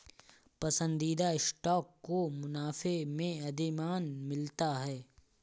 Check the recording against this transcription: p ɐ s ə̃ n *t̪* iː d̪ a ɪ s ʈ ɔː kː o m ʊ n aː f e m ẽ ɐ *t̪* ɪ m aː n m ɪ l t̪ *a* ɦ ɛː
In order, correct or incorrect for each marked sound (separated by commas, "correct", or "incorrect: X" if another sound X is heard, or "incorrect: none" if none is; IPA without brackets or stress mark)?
incorrect: d̪, incorrect: d̪, correct